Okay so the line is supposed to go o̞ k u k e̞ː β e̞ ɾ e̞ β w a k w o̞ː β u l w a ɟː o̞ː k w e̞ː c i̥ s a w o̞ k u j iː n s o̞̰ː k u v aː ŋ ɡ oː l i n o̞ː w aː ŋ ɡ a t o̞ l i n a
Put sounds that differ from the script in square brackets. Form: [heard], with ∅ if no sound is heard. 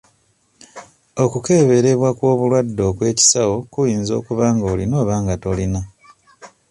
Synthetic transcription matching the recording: o̞ k u k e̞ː β e̞ ɾ e̞ β w a k w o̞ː β u l w a [dː] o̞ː k w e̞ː c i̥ s a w o̞ k u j iː n [z] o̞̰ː k u [β] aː ŋ ɡ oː l i n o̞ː [β] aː ŋ ɡ a t o̞ l i n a

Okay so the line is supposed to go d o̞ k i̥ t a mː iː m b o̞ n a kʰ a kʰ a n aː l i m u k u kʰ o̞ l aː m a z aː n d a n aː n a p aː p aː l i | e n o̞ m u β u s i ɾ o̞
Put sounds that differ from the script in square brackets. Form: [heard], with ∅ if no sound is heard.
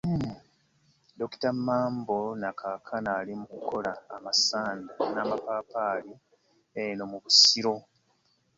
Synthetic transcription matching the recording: d o̞ k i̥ t a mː [aː] m b o̞ n a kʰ a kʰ a n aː l i m u k u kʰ o̞ l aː m a [s] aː n d a n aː [m] a p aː p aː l i | e n o̞ m u β u s i ɾ o̞

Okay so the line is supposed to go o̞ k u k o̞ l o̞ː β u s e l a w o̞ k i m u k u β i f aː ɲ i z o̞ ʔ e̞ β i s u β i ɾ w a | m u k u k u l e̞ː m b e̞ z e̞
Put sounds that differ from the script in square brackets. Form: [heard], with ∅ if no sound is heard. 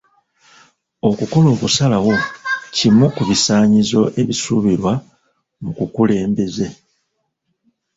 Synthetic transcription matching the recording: o̞ k u k o̞ l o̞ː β u s [a] l a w o̞ [c] i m u k u β i [s] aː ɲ i z o̞ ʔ e̞ β i s u β i ɾ w a | m u k u k u l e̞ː m b e̞ z e̞

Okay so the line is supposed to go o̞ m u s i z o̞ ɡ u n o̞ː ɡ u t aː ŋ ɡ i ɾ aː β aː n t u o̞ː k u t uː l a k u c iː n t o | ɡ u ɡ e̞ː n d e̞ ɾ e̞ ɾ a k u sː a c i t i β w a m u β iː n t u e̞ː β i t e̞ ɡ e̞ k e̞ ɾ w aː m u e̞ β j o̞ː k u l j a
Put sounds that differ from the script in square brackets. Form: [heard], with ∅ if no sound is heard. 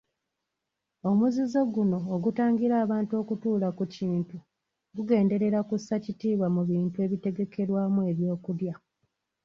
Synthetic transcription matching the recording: o̞ m u [z] i z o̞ ɡ u n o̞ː ɡ u t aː ŋ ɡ i ɾ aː β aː n t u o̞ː k u t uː l a k u c iː n t [u] | ɡ u ɡ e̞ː n d e̞ ɾ e̞ ɾ a k u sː a c i t [iː] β w a m u β iː n t u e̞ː β i t e̞ ɡ e̞ k e̞ ɾ w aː m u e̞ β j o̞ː k u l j a

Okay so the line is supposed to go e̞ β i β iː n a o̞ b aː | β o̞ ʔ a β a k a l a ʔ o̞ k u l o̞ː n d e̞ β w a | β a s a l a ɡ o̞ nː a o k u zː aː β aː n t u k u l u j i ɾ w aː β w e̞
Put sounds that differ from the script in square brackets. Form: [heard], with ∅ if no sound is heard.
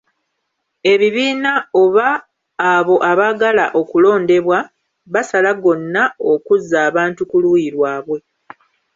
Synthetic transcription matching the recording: e̞ β i β iː n a o̞ [β] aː | β o̞ ʔ a β a [ɡ] a l a ʔ o̞ k u l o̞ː n d e̞ β w a | β a s a l a ɡ o̞ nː a o k u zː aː β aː n t u k u l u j i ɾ w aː β w e̞

